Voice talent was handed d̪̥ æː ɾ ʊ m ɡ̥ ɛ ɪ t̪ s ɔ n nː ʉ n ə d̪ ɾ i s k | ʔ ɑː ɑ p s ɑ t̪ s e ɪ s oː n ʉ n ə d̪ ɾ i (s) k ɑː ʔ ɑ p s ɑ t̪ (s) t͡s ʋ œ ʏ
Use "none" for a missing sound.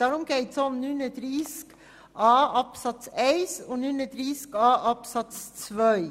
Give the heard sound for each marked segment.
s, s

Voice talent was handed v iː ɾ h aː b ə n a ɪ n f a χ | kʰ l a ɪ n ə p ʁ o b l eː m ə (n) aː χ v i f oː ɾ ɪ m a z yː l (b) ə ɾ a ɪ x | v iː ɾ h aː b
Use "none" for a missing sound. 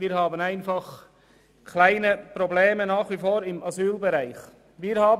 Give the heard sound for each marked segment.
n, b

